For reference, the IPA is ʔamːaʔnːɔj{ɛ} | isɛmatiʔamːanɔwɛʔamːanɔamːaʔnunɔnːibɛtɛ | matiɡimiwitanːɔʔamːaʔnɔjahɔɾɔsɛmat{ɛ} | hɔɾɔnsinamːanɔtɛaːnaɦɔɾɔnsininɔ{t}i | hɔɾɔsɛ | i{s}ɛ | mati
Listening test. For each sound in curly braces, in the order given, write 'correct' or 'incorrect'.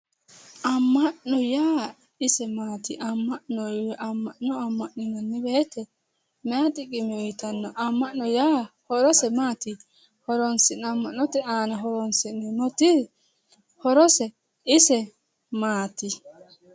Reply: incorrect, incorrect, correct, correct

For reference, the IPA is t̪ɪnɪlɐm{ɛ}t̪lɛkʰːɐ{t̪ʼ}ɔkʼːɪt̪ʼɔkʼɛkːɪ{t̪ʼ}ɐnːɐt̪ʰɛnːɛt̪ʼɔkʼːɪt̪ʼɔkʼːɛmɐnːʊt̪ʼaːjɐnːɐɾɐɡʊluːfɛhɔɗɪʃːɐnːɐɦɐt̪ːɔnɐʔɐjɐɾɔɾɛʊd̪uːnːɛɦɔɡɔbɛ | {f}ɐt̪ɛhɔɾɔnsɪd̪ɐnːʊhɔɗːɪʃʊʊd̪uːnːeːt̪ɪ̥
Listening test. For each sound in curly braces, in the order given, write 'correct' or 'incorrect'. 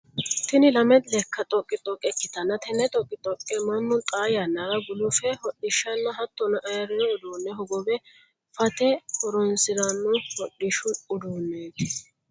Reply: correct, correct, incorrect, correct

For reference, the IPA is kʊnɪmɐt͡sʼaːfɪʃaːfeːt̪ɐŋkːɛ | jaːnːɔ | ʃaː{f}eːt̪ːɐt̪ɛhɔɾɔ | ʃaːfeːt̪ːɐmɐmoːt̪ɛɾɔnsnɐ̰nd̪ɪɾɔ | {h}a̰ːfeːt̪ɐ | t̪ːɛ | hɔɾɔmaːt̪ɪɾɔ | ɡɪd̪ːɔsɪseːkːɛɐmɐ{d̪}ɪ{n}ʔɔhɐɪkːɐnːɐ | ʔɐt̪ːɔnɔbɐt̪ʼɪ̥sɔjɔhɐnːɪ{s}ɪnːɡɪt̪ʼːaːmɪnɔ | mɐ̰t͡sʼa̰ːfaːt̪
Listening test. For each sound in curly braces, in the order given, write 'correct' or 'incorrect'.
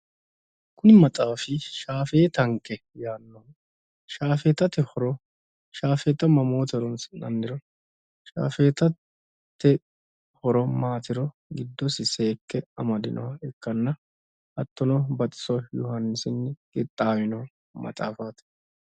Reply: correct, incorrect, correct, correct, correct

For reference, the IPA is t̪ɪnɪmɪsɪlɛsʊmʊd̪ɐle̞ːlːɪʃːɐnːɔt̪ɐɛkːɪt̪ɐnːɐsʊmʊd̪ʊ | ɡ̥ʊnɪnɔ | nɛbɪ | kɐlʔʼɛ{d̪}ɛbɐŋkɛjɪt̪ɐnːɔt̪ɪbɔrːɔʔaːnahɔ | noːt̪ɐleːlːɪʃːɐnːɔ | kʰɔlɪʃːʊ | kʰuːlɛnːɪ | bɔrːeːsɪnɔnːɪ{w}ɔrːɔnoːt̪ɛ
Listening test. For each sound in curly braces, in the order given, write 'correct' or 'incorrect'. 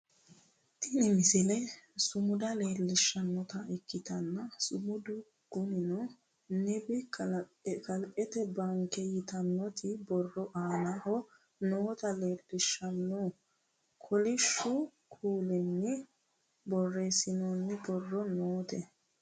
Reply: incorrect, incorrect

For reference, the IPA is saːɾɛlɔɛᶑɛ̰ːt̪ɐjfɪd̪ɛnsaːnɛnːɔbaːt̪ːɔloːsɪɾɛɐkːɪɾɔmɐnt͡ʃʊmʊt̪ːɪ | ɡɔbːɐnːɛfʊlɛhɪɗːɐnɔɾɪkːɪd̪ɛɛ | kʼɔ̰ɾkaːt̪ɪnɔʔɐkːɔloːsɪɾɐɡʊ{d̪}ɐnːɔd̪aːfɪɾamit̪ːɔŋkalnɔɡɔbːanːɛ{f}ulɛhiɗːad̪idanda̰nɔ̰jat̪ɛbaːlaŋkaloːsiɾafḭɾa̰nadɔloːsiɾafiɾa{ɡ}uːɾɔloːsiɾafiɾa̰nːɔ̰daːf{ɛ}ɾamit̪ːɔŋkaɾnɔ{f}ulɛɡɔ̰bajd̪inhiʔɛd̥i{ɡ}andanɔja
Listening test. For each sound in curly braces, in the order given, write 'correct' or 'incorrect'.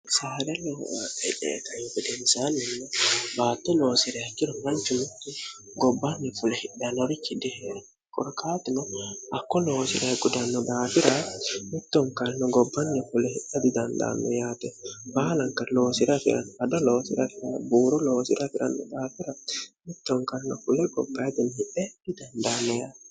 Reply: correct, correct, incorrect, incorrect, correct, incorrect

